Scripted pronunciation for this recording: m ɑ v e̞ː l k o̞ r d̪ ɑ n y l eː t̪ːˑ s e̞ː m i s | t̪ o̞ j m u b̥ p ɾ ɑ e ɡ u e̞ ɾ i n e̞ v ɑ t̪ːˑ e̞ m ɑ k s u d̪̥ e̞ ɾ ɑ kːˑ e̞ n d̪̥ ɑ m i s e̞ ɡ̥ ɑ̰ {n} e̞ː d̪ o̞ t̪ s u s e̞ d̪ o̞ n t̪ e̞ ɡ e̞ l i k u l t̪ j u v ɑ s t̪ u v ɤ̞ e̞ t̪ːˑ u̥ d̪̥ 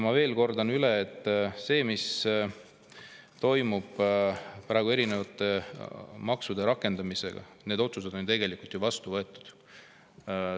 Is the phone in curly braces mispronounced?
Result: no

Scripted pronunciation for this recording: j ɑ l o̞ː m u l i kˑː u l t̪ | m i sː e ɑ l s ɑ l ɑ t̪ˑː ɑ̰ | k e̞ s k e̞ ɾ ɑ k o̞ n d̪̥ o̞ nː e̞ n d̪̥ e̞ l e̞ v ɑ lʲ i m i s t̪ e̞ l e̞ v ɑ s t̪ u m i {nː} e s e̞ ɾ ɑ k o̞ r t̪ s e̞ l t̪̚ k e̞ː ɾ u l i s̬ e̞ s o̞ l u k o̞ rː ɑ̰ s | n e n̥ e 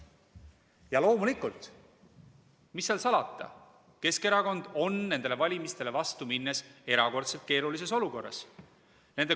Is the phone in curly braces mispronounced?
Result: no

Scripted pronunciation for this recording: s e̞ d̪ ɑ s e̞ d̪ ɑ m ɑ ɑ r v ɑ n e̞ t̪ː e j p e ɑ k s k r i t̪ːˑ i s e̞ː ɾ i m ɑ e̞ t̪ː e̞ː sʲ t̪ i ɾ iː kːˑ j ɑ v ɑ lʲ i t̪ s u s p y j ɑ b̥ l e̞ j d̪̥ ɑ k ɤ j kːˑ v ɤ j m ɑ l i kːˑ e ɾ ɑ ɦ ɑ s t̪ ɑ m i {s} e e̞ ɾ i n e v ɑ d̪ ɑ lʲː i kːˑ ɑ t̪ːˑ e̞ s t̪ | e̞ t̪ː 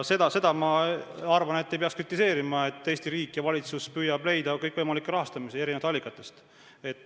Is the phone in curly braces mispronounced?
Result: no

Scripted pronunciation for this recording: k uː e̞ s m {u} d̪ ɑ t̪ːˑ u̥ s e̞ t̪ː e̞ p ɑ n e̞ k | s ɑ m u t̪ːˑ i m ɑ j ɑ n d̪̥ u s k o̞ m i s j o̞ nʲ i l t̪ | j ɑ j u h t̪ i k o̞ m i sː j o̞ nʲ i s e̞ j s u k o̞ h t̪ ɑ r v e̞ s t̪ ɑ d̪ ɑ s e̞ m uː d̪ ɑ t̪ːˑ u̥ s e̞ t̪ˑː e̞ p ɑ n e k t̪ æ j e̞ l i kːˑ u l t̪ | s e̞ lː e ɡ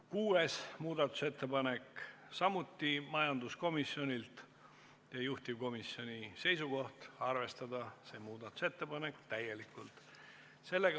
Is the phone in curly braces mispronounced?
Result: yes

